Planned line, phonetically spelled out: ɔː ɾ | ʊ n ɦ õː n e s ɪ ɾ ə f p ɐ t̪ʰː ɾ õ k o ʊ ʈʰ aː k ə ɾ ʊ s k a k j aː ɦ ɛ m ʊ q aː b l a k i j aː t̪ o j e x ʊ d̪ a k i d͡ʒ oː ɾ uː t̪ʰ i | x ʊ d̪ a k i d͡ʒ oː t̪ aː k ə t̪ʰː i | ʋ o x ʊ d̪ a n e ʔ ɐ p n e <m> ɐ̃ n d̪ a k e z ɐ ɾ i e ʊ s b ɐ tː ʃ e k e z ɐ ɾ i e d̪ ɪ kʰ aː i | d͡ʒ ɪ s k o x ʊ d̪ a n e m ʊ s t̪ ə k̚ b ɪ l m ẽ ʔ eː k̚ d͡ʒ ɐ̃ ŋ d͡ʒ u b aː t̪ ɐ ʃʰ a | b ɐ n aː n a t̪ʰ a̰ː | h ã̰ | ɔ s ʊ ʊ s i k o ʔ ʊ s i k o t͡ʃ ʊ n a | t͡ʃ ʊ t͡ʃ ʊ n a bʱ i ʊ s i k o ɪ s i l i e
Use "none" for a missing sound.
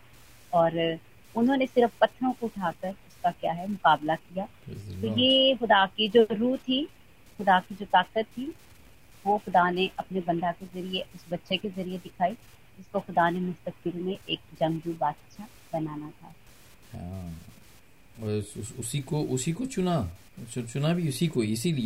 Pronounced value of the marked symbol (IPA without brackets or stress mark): b